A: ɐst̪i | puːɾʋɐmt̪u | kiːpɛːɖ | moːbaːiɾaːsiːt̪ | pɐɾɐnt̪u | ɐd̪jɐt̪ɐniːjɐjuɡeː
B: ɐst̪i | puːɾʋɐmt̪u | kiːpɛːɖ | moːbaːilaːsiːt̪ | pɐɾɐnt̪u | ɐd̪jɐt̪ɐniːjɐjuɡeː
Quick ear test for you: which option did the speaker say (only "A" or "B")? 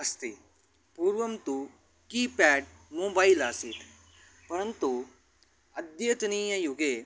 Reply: B